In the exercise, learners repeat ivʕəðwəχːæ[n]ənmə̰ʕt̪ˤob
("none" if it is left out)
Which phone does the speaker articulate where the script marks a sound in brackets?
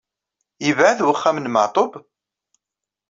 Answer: m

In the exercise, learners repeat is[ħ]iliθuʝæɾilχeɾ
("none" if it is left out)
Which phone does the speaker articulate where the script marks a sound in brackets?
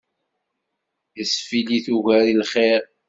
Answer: f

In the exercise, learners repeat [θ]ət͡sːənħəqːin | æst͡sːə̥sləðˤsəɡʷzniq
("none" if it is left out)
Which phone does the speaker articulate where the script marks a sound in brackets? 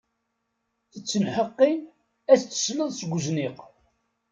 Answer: θ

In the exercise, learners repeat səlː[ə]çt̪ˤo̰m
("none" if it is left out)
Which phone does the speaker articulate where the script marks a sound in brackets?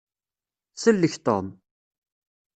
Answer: ə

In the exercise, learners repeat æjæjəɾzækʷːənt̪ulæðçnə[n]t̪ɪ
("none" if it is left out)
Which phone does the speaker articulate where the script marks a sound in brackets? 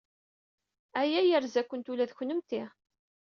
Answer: m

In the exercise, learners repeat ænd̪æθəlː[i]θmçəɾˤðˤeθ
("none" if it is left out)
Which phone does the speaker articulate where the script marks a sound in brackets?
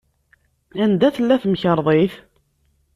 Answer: æ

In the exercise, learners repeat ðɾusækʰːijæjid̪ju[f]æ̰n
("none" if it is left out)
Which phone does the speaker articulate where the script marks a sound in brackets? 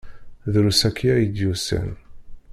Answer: s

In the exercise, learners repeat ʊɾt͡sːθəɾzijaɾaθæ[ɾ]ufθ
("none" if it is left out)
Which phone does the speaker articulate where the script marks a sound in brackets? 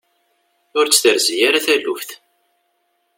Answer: l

